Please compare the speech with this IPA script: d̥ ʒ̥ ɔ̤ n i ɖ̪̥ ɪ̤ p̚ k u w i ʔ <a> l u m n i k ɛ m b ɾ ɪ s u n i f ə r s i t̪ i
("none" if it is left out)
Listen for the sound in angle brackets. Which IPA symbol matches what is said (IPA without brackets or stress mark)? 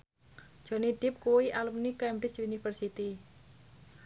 a